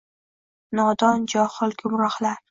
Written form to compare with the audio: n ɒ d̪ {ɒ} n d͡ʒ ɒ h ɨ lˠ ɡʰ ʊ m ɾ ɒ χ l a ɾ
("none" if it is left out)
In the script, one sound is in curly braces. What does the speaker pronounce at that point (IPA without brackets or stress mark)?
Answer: ɒ